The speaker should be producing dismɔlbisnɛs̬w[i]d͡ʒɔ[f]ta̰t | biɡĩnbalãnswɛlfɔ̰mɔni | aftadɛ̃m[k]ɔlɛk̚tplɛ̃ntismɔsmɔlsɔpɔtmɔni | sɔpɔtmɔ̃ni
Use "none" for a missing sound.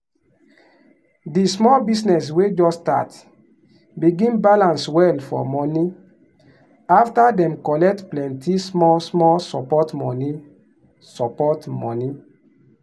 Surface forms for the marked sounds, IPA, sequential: e, s, k

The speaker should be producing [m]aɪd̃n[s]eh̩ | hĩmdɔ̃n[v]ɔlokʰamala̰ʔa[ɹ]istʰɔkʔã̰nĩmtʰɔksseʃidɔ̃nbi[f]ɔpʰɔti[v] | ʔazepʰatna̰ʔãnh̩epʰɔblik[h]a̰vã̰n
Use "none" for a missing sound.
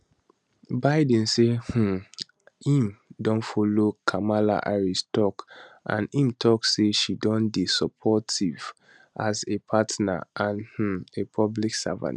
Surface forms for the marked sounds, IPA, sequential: b, s, f, ɹ, s, v, s

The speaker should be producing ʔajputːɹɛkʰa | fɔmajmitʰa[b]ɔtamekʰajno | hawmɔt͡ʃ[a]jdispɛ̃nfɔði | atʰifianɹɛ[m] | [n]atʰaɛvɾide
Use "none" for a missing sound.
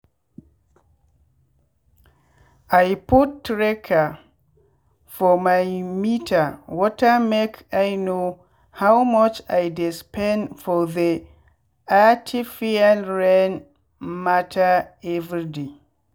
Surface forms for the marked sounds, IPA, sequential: w, a, n, m

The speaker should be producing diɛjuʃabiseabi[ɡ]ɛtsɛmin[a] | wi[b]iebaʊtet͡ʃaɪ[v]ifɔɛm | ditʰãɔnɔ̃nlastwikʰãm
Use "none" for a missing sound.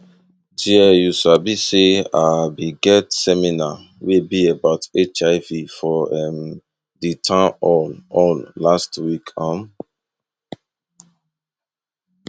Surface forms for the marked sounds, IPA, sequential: ɡ, a, b, v

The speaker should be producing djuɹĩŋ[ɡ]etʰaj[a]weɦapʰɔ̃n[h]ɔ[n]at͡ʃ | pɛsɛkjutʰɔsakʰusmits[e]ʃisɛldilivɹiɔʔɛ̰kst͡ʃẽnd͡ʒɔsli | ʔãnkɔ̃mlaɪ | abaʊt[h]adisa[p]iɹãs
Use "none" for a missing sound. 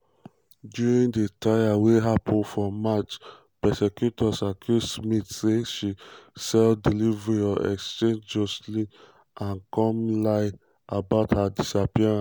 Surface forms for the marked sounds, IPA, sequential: d, a, f, m, e, h, p

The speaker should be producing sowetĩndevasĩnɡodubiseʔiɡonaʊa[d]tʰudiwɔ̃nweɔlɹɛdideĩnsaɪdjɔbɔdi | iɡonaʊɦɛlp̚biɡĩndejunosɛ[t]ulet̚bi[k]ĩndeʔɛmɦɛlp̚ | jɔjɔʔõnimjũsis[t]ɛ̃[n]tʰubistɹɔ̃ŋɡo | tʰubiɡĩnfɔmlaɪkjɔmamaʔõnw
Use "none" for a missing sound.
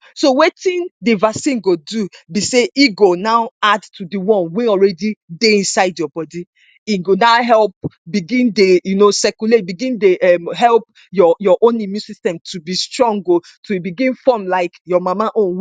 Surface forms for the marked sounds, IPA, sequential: d, k, ɡ, t, m

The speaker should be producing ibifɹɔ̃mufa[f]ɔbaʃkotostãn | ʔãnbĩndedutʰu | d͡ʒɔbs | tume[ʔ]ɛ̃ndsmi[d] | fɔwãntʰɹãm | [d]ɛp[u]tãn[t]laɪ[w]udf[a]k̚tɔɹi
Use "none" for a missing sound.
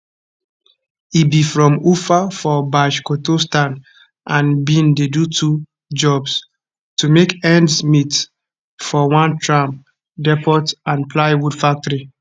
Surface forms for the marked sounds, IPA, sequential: f, k, t, d, ɔ, p, w, a

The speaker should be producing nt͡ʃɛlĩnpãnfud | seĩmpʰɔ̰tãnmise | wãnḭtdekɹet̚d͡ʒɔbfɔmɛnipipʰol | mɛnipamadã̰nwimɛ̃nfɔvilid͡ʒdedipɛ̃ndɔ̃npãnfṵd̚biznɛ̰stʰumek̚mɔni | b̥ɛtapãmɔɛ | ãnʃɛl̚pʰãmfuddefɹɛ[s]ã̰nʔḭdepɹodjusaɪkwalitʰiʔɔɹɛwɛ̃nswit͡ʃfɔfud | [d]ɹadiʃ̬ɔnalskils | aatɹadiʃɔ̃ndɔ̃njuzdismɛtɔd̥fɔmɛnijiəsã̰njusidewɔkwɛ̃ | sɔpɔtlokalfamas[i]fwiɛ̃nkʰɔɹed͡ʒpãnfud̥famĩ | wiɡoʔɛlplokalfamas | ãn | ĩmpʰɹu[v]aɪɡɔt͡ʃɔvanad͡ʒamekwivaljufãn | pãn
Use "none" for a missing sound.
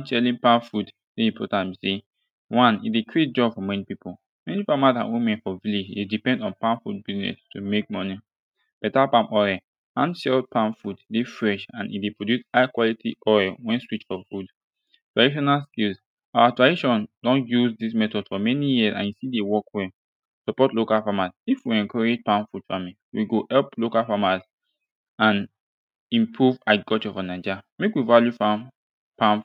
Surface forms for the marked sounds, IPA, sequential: ʃ, t, i, v

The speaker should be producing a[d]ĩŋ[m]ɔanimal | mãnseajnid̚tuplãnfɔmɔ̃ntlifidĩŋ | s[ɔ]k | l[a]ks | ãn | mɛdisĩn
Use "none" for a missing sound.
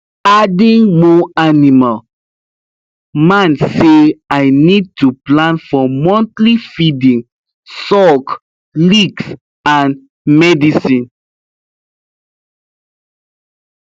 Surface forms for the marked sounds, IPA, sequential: d, m, ɔ, i

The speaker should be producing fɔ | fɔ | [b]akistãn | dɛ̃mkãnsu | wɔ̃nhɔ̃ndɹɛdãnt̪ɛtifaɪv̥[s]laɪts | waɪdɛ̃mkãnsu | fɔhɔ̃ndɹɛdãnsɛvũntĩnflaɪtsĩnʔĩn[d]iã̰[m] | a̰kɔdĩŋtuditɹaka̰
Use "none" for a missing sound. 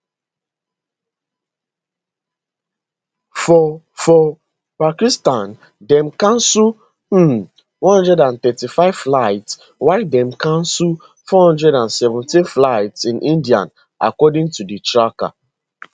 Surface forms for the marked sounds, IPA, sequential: p, f, d, n

